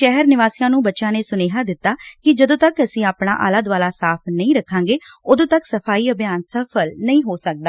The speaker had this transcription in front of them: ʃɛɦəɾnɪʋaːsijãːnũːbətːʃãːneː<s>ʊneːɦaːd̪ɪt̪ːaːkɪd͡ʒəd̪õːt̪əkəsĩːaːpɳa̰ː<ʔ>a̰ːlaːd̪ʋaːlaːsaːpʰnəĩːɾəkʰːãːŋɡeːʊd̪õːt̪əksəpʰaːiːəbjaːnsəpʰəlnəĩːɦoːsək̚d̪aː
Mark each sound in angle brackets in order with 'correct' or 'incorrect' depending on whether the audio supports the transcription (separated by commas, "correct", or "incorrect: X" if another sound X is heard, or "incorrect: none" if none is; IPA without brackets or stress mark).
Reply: correct, correct